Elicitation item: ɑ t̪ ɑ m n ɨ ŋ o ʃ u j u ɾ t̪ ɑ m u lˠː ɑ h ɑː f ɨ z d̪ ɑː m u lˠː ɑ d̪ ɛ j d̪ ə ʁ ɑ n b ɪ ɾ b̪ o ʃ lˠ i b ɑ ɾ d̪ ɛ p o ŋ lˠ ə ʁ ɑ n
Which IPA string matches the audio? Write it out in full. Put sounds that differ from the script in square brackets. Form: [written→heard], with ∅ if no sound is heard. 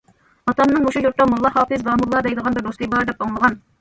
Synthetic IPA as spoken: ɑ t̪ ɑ m n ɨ ŋ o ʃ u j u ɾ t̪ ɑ m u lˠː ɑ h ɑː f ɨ z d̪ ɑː m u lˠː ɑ d̪ ɛ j d̪ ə ʁ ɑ n b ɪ ɾ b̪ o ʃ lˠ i b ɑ ɾ d̪ ɛ p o ŋ lˠ ə ʁ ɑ n